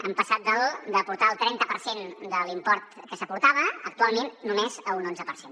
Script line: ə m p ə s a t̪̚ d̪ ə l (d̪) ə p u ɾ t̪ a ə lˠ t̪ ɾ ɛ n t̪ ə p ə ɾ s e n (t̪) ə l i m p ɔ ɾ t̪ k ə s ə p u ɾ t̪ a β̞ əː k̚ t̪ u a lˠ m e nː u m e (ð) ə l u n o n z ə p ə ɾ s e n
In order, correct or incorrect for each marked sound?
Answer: correct, incorrect: d̪, incorrect: z

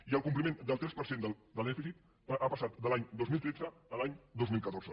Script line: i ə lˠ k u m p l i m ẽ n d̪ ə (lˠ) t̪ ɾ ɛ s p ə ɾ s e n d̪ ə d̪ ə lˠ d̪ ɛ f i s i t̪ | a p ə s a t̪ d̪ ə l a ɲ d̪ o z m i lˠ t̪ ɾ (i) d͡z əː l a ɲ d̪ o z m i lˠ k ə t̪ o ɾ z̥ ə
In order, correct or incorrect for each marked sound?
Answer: correct, incorrect: e

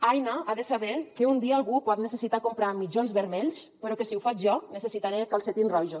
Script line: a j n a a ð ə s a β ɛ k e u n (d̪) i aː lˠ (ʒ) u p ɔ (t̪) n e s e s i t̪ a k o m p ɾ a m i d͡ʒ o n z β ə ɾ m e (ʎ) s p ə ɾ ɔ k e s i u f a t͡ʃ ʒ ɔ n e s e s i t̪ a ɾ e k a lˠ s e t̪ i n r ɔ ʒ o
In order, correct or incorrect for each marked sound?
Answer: correct, incorrect: ɣ, correct, correct

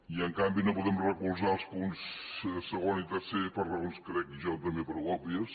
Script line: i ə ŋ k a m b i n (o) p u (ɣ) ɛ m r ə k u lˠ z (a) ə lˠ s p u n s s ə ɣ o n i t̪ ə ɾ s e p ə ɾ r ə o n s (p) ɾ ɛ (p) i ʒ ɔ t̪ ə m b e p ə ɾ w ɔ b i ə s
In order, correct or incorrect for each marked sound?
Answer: correct, incorrect: ð, correct, incorrect: k, incorrect: k

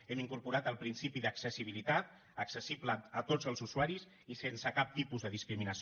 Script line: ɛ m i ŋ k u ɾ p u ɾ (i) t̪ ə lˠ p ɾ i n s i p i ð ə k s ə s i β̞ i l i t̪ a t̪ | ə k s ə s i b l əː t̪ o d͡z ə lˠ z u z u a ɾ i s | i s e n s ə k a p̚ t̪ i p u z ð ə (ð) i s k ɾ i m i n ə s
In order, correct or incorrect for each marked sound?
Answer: incorrect: a, correct

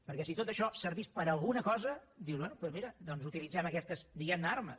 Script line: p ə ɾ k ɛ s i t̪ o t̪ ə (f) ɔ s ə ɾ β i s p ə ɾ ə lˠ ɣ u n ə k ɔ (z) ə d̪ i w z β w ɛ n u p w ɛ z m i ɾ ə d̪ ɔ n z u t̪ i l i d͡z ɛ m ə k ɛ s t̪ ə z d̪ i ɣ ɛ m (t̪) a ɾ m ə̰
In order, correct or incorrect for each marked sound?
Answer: incorrect: ʃ, correct, incorrect: d̪

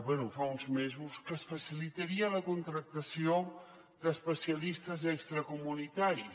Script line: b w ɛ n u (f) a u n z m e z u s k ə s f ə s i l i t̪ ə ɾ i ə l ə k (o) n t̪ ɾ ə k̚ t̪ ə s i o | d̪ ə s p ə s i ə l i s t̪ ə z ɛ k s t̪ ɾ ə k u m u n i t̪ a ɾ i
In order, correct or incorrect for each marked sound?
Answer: correct, incorrect: u

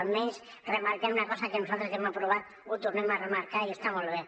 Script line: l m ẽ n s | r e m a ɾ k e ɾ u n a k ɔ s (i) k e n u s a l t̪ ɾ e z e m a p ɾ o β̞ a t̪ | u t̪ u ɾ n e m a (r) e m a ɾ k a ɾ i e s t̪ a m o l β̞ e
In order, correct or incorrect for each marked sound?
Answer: incorrect: a, correct

